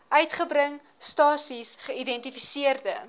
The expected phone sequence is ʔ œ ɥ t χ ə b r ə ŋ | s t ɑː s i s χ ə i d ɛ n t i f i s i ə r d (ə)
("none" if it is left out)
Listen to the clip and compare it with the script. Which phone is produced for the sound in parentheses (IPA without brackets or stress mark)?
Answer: ə